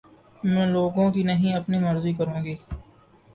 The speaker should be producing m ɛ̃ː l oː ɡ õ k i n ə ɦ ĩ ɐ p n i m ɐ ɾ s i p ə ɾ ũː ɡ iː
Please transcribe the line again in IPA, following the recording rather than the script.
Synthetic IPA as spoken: m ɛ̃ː l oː ɡ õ k i n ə ɦ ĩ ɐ p n i m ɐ ɾ z i k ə ɾ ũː ɡ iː